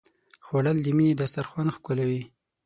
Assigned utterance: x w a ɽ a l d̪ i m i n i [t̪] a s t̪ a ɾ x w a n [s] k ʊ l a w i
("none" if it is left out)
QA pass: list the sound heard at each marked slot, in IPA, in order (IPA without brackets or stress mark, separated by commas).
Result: d̪, x